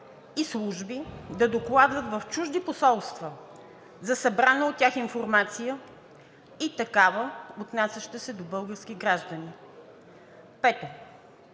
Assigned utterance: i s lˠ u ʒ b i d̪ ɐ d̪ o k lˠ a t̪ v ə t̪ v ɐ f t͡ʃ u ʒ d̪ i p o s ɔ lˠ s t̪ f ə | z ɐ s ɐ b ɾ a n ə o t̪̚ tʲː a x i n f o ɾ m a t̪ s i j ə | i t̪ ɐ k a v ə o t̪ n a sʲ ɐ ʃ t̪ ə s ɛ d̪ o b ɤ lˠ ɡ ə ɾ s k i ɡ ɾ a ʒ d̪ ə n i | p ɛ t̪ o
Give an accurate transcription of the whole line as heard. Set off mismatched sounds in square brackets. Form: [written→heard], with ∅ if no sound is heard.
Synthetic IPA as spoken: i s lˠ u ʒ b i d̪ ɐ d̪ o k lˠ a [t̪→d̪] v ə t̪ v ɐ f t͡ʃ u ʒ d̪ i p o s ɔ lˠ s t̪ [f→v] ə | z ɐ s ɐ b ɾ a n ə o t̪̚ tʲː a x i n f o ɾ m a t̪ s i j ə | i t̪ ɐ k a v ə o t̪ n a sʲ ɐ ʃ t̪ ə s ɛ d̪ o b ɤ lˠ ɡ ə ɾ s k i ɡ ɾ a ʒ d̪ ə n i | p ɛ t̪ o